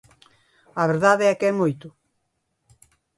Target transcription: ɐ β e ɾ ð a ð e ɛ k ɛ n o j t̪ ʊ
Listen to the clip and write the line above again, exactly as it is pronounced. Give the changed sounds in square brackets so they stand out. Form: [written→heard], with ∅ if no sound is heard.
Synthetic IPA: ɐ β e ɾ ð a ð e ɛ k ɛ [n→m] o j t̪ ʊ